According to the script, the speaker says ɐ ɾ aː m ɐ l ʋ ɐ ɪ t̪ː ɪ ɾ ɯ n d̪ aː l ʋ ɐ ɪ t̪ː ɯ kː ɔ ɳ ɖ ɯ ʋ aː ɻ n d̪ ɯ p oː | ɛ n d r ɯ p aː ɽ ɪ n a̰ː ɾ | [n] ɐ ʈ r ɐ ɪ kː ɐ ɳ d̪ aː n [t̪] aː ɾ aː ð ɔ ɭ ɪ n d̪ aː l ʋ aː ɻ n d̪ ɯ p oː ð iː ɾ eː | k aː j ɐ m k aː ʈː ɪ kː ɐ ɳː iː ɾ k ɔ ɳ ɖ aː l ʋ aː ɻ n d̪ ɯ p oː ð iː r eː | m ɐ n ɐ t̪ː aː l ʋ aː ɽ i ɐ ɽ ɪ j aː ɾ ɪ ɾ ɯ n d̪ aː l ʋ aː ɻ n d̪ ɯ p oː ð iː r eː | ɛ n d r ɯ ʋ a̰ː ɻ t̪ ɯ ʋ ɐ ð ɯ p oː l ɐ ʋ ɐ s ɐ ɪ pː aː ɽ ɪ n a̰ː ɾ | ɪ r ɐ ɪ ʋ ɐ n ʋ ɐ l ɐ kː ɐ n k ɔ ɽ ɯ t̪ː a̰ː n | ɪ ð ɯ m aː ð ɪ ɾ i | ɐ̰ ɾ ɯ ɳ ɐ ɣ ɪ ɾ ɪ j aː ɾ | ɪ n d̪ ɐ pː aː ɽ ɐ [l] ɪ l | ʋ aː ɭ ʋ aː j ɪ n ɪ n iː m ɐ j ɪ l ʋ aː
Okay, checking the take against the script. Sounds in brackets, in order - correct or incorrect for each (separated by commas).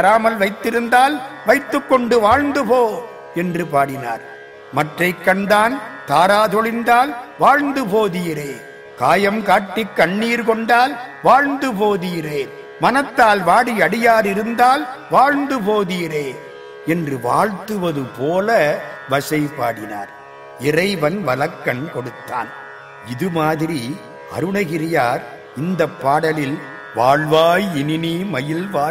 incorrect, correct, correct